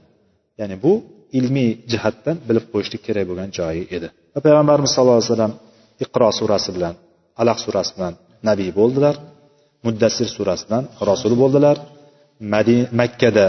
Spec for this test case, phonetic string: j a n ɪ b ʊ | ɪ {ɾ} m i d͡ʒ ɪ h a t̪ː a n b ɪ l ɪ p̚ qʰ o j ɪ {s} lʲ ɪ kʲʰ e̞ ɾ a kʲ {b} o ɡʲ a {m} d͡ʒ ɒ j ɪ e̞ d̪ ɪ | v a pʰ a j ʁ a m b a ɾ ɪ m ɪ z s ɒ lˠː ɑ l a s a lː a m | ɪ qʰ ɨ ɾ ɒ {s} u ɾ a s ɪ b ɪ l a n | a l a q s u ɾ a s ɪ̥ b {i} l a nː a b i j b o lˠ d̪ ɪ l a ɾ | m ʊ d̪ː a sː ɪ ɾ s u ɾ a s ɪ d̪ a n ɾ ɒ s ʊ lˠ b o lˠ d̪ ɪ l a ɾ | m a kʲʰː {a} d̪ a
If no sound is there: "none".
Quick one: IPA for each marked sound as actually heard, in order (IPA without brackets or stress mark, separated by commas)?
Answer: l, ʃ, b, n, s, ɪ, a